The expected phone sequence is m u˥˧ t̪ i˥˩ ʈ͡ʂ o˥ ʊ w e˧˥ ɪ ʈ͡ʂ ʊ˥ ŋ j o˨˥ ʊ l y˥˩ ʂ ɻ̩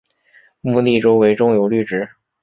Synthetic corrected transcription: m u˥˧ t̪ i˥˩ ʈ͡ʂ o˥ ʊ w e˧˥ ɪ ʈ͡ʂ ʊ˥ ŋ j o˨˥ ʊ l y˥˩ ʈ͡ʂ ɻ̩